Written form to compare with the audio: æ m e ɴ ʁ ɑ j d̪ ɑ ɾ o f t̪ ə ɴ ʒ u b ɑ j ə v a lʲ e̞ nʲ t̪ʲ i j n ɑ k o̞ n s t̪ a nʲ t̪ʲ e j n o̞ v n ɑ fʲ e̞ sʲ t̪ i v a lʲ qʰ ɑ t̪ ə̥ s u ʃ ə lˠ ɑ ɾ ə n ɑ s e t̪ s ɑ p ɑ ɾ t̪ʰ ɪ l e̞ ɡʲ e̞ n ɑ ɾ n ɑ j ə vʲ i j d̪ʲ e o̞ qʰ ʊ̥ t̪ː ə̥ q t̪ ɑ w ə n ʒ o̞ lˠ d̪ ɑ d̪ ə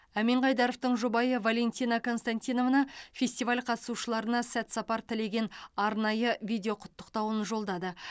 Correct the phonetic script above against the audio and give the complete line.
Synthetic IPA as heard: æ m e ɴ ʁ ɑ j d̪ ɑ ɾ o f t̪ ə ɴ ʒ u b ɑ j ə v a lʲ e̞ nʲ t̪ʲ i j n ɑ k o̞ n s t̪ a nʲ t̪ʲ i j n o̞ v n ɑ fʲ e̞ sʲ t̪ i v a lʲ qʰ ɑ t̪ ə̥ s u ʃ ə lˠ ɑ ɾ ə n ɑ s æ t̪ s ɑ p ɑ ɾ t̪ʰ ɪ l e̞ ɡʲ e̞ n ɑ ɾ n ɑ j ə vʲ i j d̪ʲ e o̞ qʰ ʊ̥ t̪ː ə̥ q t̪ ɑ w ə n ʒ o̞ lˠ d̪ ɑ d̪ ə

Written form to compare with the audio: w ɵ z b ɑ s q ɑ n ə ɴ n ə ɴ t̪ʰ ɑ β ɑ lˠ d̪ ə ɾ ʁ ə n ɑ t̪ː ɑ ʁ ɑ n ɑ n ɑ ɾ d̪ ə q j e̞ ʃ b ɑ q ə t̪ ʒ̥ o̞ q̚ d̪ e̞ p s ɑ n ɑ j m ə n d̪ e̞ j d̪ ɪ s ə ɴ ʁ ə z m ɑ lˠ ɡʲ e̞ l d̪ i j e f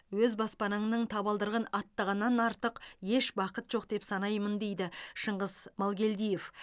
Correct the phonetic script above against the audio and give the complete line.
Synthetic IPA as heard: w ɵ z b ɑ s p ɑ n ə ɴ n ə ɴ t̪ʰ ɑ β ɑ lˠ d̪ ə ɾ ʁ ə n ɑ t̪ː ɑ ʁ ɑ nː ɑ n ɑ ɾ t̪ ə q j e̞ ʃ b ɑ q ə t̪ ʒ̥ o̞ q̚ d̪ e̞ p s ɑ n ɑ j m ə n d̪ e̞ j d̪ ɪ ʃ ə ɴ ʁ ə z m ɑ lˠ ɡʲ e̞ l d̪ i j e f

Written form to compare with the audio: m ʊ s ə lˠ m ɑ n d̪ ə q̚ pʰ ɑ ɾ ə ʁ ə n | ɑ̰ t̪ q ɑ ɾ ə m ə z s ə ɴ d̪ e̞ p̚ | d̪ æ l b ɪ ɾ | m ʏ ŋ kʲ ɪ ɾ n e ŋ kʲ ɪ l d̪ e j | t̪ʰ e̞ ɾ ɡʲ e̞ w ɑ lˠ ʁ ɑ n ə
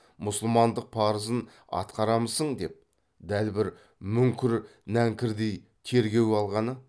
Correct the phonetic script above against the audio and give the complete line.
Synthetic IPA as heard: m ʊ s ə lˠ m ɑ n d̪ ə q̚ pʰ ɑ ɾ ə z ə n | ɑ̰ t̪ q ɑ ɾ ɑ m ə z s ə ɴ d̪ e̞ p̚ | d̪ æ l b ɪ ɾ | m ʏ ŋ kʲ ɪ ɾ n æ ŋ kʲ ɪ ɾ d̪ e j | t̪ʰ e̞ ɾ ɡʲ e̞ w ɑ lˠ ʁ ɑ n ə

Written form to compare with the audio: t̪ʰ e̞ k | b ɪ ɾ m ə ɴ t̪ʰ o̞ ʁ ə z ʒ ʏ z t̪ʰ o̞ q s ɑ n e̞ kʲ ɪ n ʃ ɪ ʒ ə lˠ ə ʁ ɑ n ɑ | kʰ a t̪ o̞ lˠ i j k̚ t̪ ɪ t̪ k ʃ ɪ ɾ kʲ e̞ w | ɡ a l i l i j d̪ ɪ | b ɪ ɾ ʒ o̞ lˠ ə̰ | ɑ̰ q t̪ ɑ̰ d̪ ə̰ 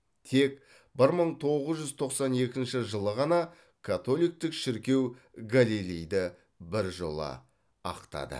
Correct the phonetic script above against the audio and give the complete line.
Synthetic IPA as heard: t̪ʰ e̞ k | b ɪ ɾ m ə ɴ t̪ʰ o̞ ʁ ə z ʒ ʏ z t̪ʰ o̞ q s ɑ n e̞ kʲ ɪ n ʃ ɪ ʒ ə lˠ ə ʁ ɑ n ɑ | kʰ a t̪ o̞ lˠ i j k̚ t̪ ɪ k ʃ ɪ ɾ kʲ e̞ w | ɡ a l i l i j d̪ ɪ | b ɪ ɾ ʒ o̞ lˠ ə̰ | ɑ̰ q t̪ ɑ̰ d̪ ə̰

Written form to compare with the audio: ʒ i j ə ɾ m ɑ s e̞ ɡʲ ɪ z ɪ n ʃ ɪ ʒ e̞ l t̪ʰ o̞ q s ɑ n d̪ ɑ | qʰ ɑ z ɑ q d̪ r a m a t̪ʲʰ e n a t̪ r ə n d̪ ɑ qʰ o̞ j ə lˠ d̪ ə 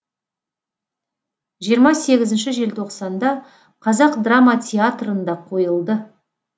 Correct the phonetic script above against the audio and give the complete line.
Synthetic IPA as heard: ʒ i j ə ɾ m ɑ s e̞ ɡʲ ɪ z ɪ n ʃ ɪ ʒ e̞ l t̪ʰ o̞ q s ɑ n d̪ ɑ | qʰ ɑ z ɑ q d̪ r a m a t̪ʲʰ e a t̪ r ə n d̪ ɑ qʰ o̞ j ə lˠ d̪ ə

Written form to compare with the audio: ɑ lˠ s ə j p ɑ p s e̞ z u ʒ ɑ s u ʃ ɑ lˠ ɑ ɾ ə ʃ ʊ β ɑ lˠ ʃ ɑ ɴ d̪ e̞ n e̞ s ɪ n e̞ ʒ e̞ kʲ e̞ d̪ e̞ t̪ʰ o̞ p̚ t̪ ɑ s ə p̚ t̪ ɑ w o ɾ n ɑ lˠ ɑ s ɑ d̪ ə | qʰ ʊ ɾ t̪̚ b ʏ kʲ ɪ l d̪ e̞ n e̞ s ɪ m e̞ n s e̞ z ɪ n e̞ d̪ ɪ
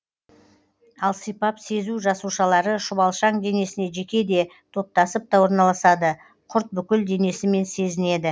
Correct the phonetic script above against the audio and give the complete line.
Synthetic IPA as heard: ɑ lˠ s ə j p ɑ p s e̞ z u ʒ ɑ s u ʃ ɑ lˠ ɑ ɾ ə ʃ ʊ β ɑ lˠ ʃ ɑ ɴ d̪ e̞ n e̞ s ɪ n e̞ ʒ e̞ kʲ e̞ d̪ e̞ t̪ʰ o̞ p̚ t̪ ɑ s ə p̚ t̪ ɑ w o ɾ n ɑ lˠ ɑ s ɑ d̪ ə | qʰ ʊ ɾ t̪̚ b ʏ kʲ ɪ l d̪ e̞ n e̞ s ɪ m e̞ n s e̞ z ɪ n e̞ d̪ ɪ

